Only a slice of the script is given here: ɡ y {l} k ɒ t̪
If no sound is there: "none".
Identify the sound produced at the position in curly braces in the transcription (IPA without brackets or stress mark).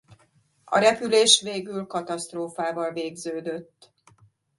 l